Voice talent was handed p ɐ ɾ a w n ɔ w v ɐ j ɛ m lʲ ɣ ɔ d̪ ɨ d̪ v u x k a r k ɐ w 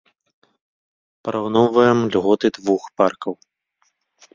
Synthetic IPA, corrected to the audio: p ɐ ɾ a w n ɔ w v ɐ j ɛ m lʲ ɣ ɔ t̪ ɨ d̪ v u x p a r k ɐ w